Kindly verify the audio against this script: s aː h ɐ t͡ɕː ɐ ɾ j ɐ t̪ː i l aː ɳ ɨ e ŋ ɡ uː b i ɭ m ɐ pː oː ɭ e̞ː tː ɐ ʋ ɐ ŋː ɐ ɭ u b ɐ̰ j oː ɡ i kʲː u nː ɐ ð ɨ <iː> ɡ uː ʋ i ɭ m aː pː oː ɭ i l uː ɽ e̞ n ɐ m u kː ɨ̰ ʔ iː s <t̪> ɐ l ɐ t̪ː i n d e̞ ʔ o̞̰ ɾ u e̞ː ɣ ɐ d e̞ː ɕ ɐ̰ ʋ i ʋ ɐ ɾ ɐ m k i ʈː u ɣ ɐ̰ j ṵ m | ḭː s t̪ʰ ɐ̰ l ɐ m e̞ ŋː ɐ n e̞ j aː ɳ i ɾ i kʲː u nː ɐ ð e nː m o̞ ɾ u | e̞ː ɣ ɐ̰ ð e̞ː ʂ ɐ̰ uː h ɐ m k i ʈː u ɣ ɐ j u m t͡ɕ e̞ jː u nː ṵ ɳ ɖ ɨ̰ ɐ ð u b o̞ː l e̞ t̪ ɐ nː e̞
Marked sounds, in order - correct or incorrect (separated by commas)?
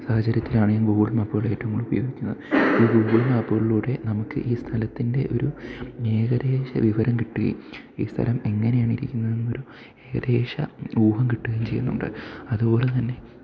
correct, incorrect